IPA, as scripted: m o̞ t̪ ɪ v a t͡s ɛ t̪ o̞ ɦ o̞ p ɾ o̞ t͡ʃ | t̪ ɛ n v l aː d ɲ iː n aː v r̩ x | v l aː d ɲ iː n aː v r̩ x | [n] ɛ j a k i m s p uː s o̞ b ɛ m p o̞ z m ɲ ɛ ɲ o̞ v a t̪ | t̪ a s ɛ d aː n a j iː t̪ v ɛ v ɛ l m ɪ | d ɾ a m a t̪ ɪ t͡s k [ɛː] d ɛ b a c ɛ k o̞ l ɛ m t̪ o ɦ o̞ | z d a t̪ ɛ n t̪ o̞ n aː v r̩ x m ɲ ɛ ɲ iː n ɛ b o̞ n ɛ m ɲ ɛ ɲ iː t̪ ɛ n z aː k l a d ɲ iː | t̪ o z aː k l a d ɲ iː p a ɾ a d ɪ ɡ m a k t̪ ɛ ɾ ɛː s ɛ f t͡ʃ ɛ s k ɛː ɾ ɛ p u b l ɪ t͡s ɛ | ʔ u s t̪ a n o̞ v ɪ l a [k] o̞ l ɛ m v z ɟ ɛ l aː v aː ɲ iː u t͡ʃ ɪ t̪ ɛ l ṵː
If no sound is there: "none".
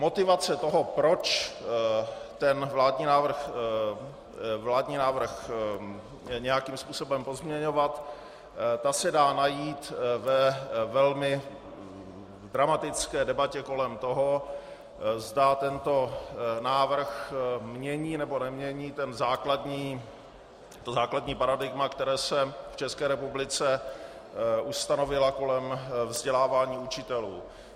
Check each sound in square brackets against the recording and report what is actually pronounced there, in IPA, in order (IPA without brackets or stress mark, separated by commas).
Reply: ɲ, ɛː, k